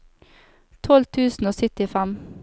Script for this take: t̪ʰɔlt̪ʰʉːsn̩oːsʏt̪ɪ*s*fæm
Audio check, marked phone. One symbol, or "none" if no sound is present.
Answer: none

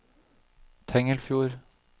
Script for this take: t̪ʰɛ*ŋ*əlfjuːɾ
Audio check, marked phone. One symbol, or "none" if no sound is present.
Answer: ŋ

